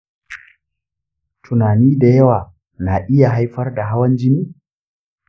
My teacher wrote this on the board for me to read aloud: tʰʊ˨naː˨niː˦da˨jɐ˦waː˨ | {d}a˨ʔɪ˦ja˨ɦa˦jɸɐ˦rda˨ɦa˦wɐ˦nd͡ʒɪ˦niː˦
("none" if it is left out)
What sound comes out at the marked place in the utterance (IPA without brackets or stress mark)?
n